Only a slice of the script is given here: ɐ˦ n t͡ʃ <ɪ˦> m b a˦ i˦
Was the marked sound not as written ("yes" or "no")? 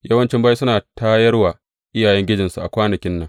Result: no